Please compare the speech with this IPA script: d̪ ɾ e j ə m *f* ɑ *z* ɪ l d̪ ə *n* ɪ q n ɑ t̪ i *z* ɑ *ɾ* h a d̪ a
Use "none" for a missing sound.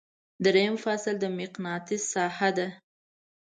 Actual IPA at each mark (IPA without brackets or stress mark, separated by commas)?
f, s, m, s, none